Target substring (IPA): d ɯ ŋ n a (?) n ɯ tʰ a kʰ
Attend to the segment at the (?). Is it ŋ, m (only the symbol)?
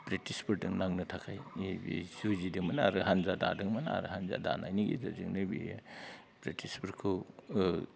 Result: ŋ